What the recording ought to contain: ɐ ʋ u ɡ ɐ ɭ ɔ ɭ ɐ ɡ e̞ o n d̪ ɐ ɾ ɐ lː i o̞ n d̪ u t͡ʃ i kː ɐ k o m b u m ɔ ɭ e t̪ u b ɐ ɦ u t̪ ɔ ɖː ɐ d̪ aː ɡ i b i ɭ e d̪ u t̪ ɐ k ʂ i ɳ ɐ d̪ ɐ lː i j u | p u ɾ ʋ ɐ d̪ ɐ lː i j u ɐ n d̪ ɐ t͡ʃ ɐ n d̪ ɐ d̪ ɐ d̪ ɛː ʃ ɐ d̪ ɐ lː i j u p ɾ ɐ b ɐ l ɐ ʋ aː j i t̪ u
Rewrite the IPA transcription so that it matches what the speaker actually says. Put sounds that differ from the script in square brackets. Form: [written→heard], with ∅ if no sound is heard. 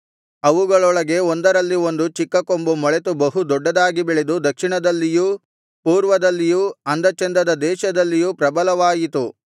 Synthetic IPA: ɐ ʋ u ɡ ɐ ɭ ɔ ɭ ɐ ɡ e̞ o n d̪ ɐ ɾ ɐ lː i o̞ n d̪ u t͡ʃ i kː ɐ k o m b u m ɔ ɭ e t̪ u b ɐ ɦ u [t̪→d̪] ɔ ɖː ɐ d̪ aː ɡ i b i ɭ e d̪ u [t̪→d̪] ɐ k ʂ i ɳ ɐ d̪ ɐ lː i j u | p [u→uː] ɾ ʋ ɐ d̪ ɐ lː i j u ɐ n d̪ ɐ t͡ʃ ɐ n d̪ ɐ d̪ ɐ d̪ ɛː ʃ ɐ d̪ ɐ lː i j u p ɾ ɐ b ɐ l ɐ ʋ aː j i t̪ u

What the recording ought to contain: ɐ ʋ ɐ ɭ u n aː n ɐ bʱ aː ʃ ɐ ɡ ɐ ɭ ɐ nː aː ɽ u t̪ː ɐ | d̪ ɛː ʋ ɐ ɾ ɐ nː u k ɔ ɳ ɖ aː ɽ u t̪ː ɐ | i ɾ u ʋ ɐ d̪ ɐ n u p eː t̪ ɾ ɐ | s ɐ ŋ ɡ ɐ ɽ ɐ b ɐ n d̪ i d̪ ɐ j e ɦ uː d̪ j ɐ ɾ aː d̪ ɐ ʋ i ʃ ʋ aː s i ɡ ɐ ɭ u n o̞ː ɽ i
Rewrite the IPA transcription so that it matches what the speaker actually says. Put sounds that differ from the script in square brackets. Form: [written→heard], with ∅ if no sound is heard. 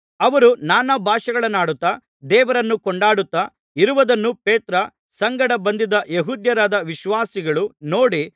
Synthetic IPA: ɐ ʋ ɐ [ɭ→ɾ] u n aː n ɐ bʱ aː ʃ ɐ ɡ ɐ ɭ ɐ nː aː ɽ u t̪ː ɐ | d̪ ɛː ʋ ɐ ɾ ɐ nː u k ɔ ɳ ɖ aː ɽ u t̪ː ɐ | i ɾ u ʋ ɐ d̪ ɐ [n→nː] u p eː t̪ ɾ ɐ | s ɐ ŋ ɡ ɐ ɽ ɐ b ɐ n d̪ i d̪ ɐ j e ɦ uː d̪ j ɐ ɾ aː d̪ ɐ ʋ i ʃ ʋ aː s i ɡ ɐ ɭ u n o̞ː ɽ i

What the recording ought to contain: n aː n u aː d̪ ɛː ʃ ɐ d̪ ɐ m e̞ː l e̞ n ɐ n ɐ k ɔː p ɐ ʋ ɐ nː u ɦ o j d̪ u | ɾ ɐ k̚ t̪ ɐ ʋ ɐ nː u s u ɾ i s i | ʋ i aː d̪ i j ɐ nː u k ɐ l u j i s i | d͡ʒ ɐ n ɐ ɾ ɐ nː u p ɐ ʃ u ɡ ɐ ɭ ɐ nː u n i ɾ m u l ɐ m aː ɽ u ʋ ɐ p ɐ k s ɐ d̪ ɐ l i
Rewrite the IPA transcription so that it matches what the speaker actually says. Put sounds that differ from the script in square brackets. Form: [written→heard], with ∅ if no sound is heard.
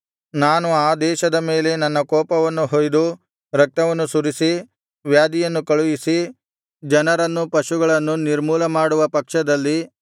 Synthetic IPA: n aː n u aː d̪ ɛː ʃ ɐ d̪ ɐ m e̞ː l e̞ n ɐ [n→nː] ɐ k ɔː p ɐ ʋ ɐ nː u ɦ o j d̪ u | ɾ ɐ k̚ t̪ ɐ ʋ ɐ nː u s u ɾ i s i | ʋ [i→j] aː d̪ i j ɐ nː u k ɐ [l→ɭ] u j i s i | d͡ʒ ɐ n ɐ ɾ ɐ nː u p ɐ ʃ u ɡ ɐ ɭ ɐ nː u n i ɾ m [u→uː] l ɐ m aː ɽ u ʋ ɐ p ɐ k [s→ʂ] ɐ d̪ ɐ [l→lː] i

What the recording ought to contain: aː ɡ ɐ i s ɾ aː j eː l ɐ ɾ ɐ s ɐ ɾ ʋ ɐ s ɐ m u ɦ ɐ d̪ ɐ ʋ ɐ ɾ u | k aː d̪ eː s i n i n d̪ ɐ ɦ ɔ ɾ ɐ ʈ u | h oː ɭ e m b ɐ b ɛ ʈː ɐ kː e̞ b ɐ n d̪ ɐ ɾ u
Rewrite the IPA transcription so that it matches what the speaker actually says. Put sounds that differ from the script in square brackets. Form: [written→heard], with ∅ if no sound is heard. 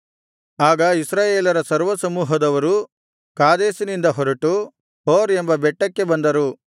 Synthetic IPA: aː ɡ ɐ i s ɾ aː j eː l ɐ ɾ ɐ s ɐ ɾ ʋ ɐ s ɐ m [u→uː] ɦ ɐ d̪ ɐ ʋ ɐ ɾ u | k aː d̪ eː s i n i n d̪ ɐ ɦ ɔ ɾ ɐ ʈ u | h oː [ɭ→ɾ] e m b ɐ b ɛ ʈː ɐ kː e̞ b ɐ n d̪ ɐ ɾ u

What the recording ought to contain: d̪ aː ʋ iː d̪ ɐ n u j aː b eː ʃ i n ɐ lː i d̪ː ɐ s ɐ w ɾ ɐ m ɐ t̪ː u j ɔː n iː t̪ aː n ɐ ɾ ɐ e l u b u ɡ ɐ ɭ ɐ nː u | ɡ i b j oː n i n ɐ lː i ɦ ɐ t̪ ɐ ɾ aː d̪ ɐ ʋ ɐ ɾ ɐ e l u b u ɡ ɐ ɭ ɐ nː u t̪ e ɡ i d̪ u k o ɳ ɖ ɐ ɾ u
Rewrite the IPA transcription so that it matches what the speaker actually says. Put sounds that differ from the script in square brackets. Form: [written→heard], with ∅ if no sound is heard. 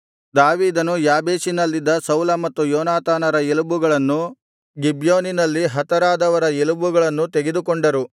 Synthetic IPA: d̪ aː ʋ iː d̪ ɐ n u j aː b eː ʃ i n ɐ lː i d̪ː ɐ s ɐ w [ɾ→l] ɐ m ɐ t̪ː u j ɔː n [iː→aː] t̪ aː n ɐ ɾ ɐ e l u b u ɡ ɐ ɭ ɐ nː u | ɡ i b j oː n i n ɐ lː i ɦ ɐ t̪ ɐ ɾ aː d̪ ɐ ʋ ɐ ɾ ɐ e l u b u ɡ ɐ ɭ ɐ nː u t̪ e ɡ [i→e] d̪ u k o ɳ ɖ ɐ ɾ u

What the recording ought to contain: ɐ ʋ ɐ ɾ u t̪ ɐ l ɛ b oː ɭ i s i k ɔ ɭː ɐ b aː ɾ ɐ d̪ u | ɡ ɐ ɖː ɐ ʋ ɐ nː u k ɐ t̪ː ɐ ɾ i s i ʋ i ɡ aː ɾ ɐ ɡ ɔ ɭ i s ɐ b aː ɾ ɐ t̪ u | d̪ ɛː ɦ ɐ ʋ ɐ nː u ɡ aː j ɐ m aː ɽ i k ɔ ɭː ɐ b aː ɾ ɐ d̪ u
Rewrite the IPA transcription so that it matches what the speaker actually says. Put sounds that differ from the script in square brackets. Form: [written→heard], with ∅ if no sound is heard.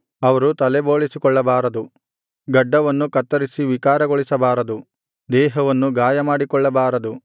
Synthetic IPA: ɐ ʋ ɐ ɾ u t̪ ɐ l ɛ b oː ɭ i s i k ɔ ɭː ɐ b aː ɾ ɐ d̪ u | ɡ ɐ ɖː ɐ ʋ ɐ nː u k ɐ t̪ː ɐ ɾ i s i ʋ i [ɡ→k] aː ɾ ɐ ɡ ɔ ɭ i s ɐ b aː ɾ ɐ [t̪→d̪] u | d̪ ɛː ɦ ɐ ʋ ɐ nː u ɡ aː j ɐ m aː ɽ i k ɔ ɭː ɐ b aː ɾ ɐ d̪ u

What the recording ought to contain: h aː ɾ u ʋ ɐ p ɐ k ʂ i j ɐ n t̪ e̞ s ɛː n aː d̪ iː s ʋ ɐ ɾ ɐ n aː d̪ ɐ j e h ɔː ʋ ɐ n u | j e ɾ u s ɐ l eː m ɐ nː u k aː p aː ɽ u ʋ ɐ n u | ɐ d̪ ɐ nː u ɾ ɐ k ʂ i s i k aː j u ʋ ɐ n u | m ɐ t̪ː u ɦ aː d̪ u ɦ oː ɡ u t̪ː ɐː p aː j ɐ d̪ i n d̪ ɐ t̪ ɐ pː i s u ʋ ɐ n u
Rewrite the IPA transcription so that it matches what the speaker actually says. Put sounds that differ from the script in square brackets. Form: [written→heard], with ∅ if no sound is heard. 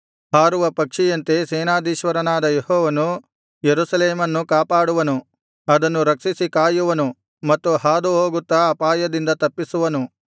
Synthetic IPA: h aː ɾ u ʋ ɐ p ɐ k ʂ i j ɐ n t̪ e̞ s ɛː n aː d̪ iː [s→ʃ] ʋ ɐ ɾ ɐ n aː d̪ ɐ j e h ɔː ʋ ɐ n u | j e ɾ u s ɐ l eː m ɐ nː u k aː p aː ɽ u ʋ ɐ n u | ɐ d̪ ɐ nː u ɾ ɐ k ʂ i s i k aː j u ʋ ɐ n u | m ɐ t̪ː u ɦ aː d̪ u ɦ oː ɡ u t̪ː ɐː p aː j ɐ d̪ i n d̪ ɐ t̪ ɐ pː i s u ʋ ɐ n u

